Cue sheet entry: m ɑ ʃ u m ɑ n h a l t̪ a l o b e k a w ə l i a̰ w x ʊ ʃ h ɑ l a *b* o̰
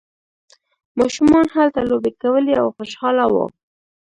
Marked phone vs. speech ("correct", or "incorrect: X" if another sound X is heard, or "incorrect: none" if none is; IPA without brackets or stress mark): incorrect: w